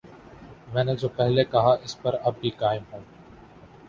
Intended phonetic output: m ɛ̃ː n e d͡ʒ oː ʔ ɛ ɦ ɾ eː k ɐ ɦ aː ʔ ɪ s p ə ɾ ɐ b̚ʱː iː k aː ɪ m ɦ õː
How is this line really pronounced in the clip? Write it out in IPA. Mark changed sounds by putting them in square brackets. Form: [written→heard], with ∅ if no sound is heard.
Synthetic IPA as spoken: m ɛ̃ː n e d͡ʒ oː [ʔ→p] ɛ ɦ [ɾ→l] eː k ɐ ɦ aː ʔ ɪ s p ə ɾ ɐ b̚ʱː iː k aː ɪ m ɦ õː